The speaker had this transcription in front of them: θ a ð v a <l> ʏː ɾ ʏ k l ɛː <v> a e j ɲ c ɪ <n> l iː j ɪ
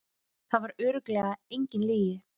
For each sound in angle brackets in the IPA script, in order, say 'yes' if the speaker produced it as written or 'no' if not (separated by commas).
no, no, yes